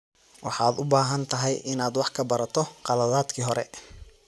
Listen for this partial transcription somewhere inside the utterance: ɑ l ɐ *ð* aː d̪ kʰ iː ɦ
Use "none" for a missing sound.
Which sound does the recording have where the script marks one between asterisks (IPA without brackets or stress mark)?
ð